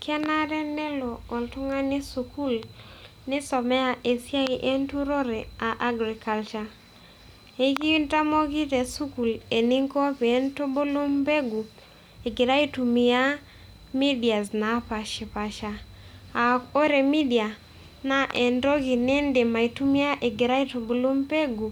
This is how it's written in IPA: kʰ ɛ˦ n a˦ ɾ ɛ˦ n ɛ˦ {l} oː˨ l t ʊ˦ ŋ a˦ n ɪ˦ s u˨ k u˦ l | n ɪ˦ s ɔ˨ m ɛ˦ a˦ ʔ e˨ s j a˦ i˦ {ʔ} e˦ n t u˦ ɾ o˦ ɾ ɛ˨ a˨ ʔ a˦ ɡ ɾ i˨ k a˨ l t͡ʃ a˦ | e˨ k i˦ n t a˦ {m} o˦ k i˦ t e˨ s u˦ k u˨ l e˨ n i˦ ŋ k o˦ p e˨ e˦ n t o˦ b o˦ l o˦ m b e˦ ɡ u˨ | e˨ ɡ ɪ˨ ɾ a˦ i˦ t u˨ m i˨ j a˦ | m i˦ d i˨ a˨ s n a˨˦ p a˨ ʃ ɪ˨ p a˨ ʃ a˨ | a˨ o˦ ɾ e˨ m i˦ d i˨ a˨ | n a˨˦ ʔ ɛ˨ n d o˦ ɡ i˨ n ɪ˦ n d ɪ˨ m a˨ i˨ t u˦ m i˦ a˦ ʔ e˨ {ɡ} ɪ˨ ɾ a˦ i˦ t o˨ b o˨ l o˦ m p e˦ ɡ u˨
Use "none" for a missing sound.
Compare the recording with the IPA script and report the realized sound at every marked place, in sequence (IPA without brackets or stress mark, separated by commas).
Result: l, ʔ, m, ɡ